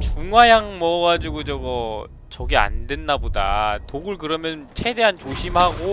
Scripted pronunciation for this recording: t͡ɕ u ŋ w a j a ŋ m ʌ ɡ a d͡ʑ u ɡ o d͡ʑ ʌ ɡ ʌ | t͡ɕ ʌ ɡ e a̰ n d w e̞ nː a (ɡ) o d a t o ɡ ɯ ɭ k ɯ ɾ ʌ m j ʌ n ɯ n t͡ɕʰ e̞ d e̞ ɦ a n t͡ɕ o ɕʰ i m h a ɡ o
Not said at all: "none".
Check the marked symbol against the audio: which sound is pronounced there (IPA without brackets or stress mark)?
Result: b